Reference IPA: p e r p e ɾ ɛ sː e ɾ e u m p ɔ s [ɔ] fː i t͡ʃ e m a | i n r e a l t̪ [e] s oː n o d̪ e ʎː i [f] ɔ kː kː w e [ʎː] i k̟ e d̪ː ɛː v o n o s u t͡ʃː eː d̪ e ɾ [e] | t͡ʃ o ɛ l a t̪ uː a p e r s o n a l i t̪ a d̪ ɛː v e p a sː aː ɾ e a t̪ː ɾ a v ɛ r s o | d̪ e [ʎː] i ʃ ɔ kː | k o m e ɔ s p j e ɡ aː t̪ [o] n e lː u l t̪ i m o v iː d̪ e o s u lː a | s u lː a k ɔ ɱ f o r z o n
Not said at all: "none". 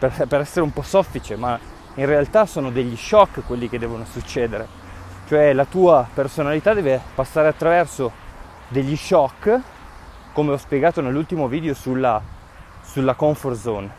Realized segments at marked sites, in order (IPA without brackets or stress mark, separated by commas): ɔ, a, ʃ, lː, e, ʎː, o